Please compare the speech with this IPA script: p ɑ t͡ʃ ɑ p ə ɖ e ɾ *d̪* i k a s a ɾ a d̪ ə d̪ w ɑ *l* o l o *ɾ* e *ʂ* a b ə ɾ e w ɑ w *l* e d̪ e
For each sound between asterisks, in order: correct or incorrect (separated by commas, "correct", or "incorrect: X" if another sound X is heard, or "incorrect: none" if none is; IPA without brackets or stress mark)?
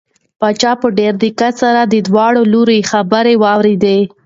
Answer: correct, incorrect: ɽ, correct, incorrect: x, incorrect: ɾ